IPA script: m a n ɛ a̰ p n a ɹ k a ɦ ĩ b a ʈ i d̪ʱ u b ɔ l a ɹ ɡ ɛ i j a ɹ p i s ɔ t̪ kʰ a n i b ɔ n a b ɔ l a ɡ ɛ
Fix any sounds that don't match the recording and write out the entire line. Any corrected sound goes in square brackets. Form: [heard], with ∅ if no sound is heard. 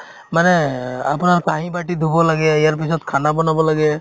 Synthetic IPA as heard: m a n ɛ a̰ p n a ɹ k a ɦ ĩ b a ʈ i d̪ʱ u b ɔ l a [∅] ɡ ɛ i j a ɹ p i s ɔ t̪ kʰ a n [a] b ɔ n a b ɔ l a ɡ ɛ